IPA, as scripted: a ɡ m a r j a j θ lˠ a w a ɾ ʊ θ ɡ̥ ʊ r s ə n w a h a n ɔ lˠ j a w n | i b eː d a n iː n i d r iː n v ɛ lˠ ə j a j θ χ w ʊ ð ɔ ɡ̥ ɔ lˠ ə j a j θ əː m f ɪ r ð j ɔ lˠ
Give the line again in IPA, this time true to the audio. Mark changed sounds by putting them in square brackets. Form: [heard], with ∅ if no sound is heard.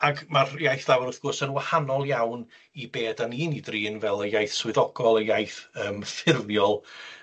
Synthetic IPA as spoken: a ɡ m a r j a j θ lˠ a w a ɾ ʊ θ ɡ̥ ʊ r s ə n w a h a n ɔ lˠ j a w n | i b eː d a n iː n i d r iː n v ɛ lˠ ə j a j θ [s] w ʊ ð ɔ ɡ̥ ɔ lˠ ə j a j θ əː m f ɪ r ð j ɔ lˠ

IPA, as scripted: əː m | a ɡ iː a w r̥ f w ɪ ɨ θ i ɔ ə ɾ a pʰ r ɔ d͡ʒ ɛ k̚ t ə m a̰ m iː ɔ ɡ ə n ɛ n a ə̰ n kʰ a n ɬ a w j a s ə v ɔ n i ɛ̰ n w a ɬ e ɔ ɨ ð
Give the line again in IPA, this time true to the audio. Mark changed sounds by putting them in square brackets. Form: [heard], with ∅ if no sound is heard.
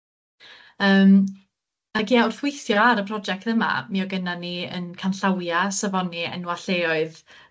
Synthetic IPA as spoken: əː m | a ɡ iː a w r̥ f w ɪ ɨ θ [j] ɔ [a] ɾ [ə] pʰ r ɔ d͡ʒ ɛ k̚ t ə m a̰ m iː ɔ ɡ ə n [a] n [i] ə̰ n kʰ a n ɬ a w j a s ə v ɔ n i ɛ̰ n w a ɬ e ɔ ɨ ð

